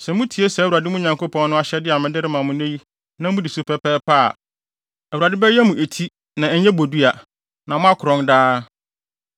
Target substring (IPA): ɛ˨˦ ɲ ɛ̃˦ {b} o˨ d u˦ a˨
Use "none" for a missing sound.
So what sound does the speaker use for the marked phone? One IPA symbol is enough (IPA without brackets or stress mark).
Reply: b